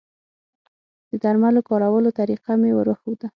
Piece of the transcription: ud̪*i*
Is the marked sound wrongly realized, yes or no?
yes